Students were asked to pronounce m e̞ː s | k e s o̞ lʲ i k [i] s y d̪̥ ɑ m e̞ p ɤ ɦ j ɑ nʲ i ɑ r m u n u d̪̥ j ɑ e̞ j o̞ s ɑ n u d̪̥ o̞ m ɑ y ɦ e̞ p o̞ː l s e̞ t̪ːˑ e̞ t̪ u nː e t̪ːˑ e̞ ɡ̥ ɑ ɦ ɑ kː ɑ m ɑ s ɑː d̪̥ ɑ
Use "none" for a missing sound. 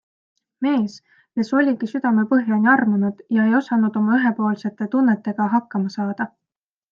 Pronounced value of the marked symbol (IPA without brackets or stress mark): i